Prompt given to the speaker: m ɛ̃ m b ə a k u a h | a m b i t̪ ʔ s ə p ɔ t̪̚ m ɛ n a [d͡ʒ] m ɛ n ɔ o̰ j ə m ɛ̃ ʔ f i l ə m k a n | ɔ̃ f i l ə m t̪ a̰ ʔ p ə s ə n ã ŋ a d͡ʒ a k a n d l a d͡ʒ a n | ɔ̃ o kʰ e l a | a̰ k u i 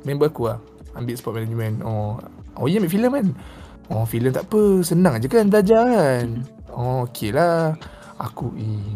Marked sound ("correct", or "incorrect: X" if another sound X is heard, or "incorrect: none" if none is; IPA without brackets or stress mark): correct